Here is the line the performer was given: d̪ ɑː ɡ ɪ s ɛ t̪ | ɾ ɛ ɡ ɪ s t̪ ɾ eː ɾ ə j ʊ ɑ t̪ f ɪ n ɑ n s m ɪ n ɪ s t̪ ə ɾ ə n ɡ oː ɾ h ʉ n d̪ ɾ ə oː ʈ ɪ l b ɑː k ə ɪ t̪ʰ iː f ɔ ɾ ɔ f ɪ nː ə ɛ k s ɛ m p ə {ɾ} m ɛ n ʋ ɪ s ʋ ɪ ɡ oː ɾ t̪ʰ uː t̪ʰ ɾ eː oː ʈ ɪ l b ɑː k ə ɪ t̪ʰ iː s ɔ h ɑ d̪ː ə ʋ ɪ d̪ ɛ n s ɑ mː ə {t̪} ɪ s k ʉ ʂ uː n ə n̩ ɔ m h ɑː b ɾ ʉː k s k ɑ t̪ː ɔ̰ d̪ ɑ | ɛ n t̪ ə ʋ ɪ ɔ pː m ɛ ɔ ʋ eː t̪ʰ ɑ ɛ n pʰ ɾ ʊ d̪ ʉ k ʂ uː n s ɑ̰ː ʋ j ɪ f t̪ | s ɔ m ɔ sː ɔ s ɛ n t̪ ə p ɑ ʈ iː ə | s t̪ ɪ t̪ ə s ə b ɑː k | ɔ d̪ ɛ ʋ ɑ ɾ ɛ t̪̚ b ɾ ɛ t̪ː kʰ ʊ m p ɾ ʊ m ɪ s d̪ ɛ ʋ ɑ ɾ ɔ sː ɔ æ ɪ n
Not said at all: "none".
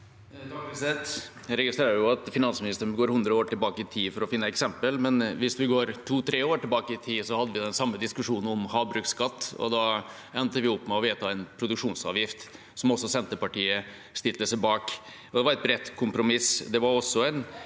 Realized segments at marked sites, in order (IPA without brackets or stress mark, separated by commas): l, d̪